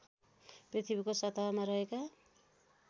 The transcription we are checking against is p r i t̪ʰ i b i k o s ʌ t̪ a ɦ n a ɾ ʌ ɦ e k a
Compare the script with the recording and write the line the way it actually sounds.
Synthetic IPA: p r i t̪ʰ i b i k o s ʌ t̪ a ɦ m a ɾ ʌ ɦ e k a